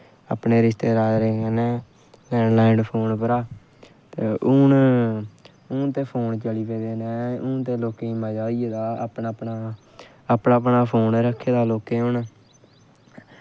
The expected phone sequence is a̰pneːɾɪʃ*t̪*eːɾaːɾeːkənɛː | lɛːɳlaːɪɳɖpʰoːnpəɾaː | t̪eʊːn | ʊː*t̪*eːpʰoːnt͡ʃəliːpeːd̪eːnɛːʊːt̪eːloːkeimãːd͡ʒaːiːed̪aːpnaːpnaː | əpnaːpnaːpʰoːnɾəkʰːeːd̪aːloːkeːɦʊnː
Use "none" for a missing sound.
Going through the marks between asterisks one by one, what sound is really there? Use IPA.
t̪, t̪

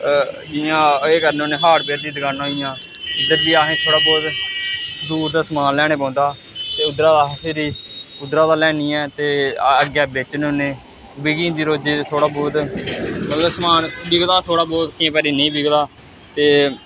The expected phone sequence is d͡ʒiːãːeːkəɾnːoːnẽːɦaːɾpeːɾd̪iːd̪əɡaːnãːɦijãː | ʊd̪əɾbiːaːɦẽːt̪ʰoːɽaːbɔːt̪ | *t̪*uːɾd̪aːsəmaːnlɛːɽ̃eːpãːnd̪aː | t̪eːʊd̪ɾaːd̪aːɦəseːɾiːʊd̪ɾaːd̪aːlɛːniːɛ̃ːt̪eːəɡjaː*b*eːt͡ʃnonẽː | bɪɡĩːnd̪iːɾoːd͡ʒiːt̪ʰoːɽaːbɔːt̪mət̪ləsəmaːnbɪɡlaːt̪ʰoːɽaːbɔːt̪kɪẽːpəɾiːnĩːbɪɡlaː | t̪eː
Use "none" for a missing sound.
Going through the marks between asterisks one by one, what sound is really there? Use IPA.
d̪, b

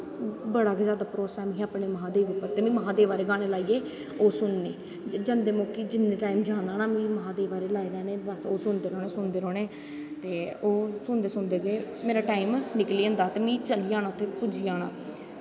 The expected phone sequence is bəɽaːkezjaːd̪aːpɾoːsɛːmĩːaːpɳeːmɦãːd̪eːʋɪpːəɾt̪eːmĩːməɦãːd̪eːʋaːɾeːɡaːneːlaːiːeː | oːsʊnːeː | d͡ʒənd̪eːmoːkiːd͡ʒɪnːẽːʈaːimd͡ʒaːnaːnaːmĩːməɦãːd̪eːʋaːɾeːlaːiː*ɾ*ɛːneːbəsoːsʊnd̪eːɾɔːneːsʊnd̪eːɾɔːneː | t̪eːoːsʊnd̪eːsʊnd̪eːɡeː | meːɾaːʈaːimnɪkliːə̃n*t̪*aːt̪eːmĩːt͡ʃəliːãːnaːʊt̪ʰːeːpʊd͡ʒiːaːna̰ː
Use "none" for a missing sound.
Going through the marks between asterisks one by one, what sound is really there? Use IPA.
ɾ, d̪

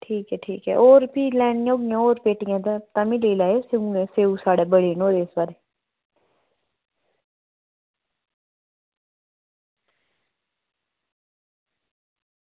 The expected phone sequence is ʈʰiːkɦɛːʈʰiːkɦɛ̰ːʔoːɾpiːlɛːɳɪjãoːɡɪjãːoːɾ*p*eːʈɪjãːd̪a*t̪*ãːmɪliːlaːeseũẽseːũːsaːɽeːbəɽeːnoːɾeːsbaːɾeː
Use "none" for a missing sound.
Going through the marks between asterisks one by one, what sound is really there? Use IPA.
p, t̪

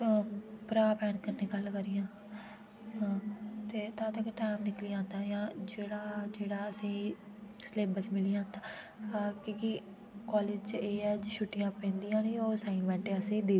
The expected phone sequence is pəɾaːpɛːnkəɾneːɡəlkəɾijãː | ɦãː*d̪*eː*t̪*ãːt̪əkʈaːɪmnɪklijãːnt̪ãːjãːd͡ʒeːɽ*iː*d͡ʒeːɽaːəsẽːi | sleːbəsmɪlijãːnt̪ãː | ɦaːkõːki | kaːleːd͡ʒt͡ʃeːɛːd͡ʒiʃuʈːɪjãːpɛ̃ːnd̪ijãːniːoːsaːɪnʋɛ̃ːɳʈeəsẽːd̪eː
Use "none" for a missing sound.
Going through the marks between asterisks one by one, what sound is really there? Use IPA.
t̪, t̪, aː

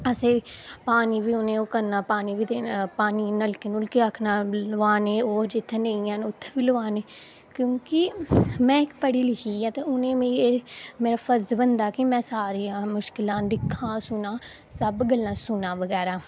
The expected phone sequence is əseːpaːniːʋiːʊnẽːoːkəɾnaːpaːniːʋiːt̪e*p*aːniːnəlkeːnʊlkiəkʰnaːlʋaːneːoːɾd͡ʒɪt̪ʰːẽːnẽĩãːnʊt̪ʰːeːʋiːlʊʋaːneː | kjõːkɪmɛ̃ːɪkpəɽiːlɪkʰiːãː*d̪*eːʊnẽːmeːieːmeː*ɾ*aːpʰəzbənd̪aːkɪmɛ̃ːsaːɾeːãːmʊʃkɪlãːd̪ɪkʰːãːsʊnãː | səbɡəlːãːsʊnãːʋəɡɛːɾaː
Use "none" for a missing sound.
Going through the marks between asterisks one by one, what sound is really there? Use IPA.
p, t̪, ɾ

